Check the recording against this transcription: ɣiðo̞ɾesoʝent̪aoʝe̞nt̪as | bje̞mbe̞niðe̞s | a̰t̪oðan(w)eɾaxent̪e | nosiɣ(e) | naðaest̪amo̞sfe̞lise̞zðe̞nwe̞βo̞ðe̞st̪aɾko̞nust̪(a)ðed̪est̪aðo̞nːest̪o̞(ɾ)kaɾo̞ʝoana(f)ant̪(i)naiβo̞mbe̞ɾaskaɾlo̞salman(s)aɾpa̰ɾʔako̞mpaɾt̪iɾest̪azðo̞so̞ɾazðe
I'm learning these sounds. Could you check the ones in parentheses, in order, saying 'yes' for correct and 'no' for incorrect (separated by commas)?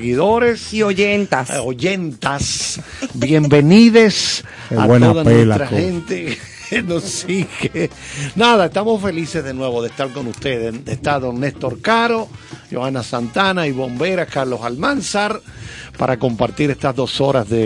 yes, yes, no, yes, no, no, yes